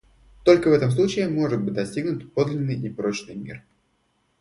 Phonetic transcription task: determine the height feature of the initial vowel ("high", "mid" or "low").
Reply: mid